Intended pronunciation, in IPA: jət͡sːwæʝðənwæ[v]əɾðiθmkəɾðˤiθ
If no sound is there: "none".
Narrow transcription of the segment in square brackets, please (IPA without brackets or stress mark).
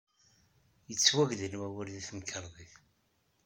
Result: w